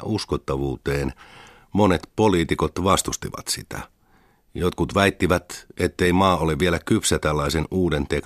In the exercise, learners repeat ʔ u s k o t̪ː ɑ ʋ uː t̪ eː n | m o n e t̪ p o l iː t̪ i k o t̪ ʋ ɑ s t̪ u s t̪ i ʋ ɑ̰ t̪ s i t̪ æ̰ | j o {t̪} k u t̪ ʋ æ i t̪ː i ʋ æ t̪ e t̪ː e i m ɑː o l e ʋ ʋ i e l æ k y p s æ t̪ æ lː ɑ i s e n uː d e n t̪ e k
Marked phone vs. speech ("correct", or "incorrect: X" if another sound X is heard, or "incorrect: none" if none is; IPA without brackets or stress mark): correct